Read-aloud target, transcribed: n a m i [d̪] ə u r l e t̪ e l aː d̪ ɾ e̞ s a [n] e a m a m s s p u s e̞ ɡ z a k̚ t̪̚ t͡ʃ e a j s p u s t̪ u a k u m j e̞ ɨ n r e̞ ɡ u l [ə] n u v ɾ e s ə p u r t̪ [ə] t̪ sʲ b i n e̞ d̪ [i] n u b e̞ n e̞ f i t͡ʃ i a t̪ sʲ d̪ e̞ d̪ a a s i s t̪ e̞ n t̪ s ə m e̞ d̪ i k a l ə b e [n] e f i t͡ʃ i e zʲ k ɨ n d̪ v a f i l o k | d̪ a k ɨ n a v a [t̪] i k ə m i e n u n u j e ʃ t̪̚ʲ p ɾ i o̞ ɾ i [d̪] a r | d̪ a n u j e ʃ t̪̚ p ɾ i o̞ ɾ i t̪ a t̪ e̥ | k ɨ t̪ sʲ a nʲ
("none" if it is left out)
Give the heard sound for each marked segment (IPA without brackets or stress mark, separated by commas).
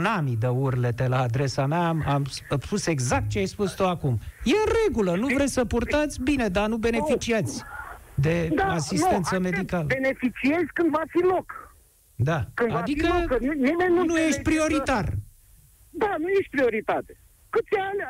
d̪, m, ə, a, a, n, d̪, t̪